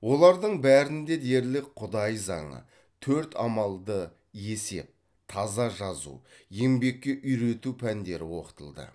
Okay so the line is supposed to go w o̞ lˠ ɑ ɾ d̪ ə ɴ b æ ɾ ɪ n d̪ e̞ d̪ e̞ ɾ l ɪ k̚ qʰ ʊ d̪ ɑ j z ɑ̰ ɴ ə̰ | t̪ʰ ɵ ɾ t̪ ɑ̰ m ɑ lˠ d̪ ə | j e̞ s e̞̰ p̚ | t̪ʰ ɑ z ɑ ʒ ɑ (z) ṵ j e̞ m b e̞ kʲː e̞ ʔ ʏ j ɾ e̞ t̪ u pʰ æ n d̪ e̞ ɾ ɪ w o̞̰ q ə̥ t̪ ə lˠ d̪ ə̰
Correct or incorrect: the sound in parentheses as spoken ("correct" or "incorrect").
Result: correct